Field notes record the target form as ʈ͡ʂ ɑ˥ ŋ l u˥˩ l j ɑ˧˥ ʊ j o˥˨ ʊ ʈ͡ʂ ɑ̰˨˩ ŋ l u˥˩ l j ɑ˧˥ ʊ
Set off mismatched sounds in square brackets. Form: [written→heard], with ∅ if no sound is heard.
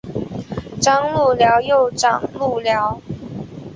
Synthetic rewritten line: ʈ͡ʂ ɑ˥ ŋ l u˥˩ l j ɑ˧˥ ʊ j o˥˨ ʊ ʈ͡ʂ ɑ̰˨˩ ŋ l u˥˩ l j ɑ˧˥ ʊ